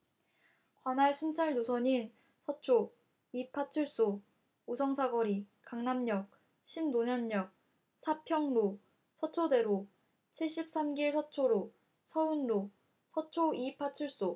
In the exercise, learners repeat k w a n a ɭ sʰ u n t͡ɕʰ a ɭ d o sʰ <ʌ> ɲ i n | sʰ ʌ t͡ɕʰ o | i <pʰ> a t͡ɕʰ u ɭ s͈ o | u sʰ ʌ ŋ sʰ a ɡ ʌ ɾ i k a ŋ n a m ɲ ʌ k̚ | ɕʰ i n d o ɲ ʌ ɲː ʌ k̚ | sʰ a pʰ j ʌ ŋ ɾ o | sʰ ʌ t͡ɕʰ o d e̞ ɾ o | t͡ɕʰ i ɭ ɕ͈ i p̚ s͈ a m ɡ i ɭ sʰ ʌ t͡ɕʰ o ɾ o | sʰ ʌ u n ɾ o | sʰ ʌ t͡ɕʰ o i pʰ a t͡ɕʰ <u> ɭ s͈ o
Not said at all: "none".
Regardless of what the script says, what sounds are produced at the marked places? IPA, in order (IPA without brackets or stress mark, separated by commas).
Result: ʌ, pʰ, u